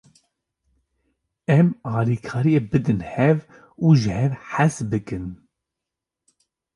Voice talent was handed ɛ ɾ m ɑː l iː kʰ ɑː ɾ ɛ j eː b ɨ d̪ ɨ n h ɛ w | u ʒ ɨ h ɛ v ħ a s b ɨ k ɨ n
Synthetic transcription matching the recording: ɛ m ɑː l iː kʰ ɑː ɾ i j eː b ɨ d̪ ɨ n h ɛ v | u ʒ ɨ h ɛ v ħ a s b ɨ k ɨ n